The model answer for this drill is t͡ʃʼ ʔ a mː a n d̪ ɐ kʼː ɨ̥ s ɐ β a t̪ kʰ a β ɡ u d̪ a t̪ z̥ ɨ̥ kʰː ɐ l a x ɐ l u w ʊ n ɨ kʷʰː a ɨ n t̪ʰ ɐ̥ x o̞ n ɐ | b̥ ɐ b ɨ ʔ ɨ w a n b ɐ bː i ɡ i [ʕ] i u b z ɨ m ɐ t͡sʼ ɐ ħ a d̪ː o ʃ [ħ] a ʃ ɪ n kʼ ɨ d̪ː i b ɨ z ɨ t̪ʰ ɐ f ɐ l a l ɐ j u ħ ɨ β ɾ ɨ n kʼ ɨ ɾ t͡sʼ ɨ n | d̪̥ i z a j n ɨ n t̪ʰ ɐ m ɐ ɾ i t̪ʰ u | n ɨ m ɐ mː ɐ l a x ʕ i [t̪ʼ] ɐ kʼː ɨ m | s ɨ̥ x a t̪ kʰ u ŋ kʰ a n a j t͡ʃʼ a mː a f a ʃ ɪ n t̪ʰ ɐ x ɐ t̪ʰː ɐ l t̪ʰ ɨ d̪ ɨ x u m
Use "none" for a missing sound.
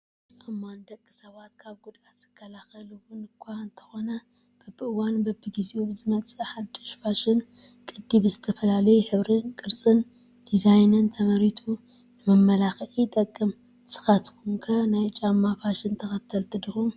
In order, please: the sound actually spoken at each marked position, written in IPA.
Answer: z, f, t̪ʼ

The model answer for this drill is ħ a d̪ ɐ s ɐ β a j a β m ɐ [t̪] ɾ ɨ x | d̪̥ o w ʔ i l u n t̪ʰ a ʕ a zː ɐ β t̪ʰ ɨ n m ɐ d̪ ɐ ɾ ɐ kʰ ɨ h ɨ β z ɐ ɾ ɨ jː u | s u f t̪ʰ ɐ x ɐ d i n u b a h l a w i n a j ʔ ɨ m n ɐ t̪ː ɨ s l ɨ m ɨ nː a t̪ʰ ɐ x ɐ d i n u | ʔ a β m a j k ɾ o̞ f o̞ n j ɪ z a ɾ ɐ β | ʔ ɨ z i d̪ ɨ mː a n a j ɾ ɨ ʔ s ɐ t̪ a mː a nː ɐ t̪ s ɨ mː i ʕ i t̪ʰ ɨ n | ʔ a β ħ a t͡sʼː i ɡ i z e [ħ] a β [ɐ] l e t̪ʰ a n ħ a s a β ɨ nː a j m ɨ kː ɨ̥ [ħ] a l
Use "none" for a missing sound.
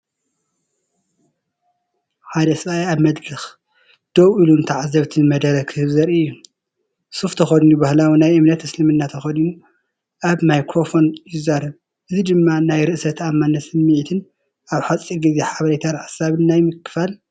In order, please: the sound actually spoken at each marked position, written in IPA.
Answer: d̪, ħ, ɐ, f

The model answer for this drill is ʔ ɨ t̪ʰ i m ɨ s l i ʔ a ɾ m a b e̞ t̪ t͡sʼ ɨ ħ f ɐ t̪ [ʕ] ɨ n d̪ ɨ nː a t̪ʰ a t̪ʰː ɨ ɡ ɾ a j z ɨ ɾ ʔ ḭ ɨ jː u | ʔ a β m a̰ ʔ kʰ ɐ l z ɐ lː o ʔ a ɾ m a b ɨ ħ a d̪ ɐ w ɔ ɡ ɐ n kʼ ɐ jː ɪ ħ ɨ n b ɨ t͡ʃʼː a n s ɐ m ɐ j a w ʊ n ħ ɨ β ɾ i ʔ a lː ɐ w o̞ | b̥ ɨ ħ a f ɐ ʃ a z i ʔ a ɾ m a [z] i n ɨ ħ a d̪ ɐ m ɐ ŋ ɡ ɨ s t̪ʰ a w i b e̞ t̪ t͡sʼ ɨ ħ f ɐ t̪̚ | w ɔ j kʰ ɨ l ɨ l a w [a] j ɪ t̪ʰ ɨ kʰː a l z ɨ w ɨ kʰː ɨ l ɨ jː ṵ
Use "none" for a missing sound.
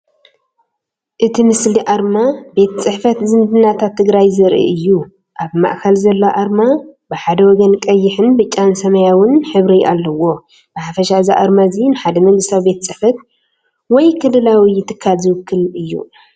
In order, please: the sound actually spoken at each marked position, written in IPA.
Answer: z, z, i

